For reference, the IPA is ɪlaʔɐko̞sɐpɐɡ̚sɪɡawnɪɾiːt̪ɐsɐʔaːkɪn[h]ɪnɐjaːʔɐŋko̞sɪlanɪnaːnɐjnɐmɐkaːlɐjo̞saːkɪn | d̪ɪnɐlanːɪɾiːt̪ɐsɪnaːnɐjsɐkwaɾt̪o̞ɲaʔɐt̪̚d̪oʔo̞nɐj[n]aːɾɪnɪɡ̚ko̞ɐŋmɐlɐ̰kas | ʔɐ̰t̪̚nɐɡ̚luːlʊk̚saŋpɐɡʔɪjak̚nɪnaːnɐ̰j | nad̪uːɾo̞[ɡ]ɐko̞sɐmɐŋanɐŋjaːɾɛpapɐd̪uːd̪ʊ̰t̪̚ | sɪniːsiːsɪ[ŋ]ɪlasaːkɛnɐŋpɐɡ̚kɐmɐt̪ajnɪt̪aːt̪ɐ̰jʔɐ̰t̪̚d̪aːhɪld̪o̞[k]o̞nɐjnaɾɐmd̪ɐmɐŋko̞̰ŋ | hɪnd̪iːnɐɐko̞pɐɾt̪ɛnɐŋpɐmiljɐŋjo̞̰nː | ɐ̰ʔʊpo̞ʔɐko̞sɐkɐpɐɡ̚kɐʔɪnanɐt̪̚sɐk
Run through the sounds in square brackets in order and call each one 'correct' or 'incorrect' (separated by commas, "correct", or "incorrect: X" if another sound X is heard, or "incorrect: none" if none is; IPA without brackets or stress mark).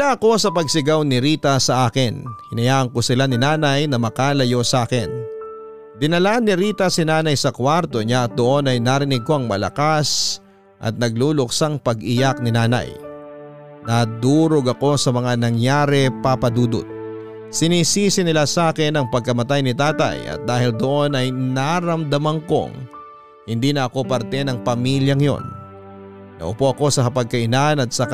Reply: correct, correct, correct, incorrect: n, incorrect: ʔ